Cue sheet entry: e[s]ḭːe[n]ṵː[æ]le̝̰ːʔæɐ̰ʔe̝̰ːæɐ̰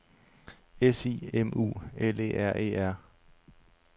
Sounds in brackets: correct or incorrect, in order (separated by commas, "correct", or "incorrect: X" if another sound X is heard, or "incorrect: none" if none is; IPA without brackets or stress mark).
correct, incorrect: m, incorrect: e